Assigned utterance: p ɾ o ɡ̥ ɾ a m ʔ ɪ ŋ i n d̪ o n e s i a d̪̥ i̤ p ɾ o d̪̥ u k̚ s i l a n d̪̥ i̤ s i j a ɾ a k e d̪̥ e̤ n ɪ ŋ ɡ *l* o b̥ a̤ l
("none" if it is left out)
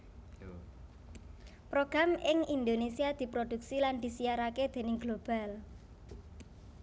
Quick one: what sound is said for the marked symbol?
l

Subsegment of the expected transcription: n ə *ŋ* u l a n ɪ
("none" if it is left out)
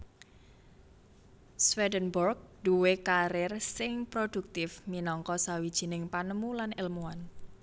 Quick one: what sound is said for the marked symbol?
m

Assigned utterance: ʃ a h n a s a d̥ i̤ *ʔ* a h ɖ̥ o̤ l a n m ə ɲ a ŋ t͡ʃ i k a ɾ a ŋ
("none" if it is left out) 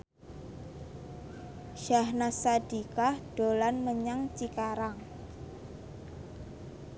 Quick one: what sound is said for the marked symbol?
k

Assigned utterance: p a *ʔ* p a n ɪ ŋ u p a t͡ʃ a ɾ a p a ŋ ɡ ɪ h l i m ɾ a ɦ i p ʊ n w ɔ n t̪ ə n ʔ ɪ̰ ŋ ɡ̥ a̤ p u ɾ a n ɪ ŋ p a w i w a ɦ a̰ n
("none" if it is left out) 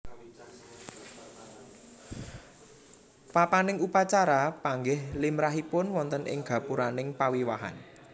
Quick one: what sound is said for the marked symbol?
none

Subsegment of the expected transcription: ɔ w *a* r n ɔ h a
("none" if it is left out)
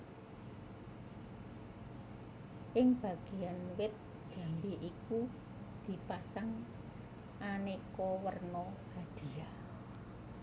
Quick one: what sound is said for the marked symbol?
ə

